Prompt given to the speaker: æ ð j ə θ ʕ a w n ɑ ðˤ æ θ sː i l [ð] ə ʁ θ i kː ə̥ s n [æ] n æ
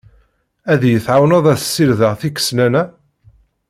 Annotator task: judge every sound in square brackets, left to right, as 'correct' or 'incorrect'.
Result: correct, correct

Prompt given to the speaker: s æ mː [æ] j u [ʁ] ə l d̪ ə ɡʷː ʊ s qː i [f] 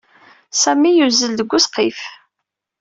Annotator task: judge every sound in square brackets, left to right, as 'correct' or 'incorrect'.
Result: incorrect: i, incorrect: z, correct

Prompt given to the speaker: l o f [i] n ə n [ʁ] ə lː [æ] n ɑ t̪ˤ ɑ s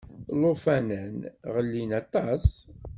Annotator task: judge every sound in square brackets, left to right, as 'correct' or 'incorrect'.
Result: incorrect: æ, correct, incorrect: i

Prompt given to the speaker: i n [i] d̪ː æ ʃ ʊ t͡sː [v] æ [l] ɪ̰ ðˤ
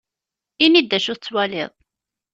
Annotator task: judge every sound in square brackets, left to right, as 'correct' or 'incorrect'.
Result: correct, incorrect: w, correct

